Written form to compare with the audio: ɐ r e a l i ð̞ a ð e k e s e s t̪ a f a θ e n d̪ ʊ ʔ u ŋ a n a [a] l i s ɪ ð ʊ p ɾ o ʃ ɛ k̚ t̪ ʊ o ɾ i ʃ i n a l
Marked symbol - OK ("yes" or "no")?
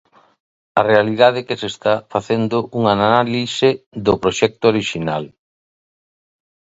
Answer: yes